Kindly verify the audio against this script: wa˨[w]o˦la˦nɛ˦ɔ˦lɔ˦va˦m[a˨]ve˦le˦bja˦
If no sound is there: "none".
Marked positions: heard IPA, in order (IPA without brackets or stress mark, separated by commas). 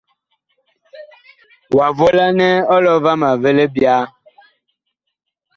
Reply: v, a˨